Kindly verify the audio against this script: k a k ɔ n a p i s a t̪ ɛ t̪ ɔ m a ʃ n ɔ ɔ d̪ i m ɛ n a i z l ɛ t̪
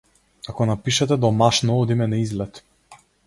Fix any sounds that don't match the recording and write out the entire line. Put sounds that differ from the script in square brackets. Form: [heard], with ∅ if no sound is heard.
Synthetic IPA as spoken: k a k ɔ n a p i [ʃ] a t̪ ɛ [d̪] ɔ m a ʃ n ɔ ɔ d̪ i m ɛ n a i z l ɛ t̪